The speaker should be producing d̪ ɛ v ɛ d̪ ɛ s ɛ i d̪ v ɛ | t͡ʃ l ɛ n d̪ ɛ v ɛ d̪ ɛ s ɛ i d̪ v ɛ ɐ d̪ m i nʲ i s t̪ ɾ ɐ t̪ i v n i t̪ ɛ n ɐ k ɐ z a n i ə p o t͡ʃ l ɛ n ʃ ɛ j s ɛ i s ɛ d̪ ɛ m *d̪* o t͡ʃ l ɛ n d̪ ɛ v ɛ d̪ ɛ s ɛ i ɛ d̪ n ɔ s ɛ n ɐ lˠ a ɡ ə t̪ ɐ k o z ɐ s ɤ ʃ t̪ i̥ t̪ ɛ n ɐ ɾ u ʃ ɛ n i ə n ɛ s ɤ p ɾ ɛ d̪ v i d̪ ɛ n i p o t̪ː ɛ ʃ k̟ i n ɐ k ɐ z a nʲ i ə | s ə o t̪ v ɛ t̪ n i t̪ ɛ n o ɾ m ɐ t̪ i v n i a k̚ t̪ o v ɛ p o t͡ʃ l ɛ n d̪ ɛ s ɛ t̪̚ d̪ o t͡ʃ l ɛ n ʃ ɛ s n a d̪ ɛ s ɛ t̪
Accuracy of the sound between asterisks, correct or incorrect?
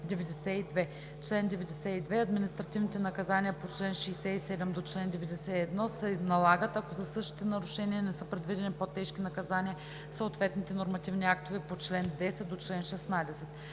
correct